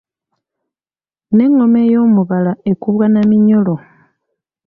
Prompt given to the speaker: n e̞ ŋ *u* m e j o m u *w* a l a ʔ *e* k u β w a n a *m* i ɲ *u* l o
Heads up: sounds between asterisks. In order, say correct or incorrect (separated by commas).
incorrect, incorrect, correct, correct, incorrect